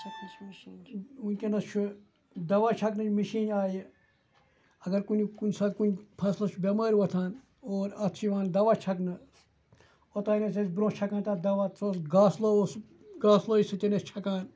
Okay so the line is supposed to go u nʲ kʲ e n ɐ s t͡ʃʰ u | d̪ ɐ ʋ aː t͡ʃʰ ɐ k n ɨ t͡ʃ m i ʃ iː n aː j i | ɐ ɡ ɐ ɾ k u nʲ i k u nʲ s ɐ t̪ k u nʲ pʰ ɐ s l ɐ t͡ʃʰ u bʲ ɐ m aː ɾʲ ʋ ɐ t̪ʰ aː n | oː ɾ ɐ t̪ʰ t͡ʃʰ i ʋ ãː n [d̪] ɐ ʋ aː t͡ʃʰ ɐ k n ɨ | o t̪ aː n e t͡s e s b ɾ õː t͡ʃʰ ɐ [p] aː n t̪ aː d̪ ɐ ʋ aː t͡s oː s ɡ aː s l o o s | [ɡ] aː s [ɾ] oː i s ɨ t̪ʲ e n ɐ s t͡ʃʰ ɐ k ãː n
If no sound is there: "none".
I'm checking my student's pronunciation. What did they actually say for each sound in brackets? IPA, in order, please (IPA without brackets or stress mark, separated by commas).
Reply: d̪, k, ɡ, l